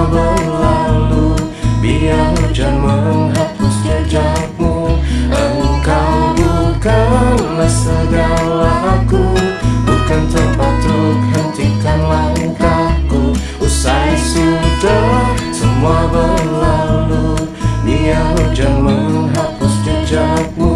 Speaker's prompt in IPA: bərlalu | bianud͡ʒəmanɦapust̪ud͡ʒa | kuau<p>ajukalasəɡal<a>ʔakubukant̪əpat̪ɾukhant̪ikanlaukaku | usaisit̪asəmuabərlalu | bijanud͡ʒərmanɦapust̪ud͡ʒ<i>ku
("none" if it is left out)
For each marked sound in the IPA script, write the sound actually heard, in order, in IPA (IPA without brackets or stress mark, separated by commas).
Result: k, a, a